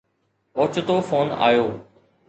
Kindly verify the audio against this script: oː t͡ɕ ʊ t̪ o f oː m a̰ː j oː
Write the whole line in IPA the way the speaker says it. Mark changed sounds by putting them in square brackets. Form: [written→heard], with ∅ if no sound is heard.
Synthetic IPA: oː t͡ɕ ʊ t̪ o f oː [m→n] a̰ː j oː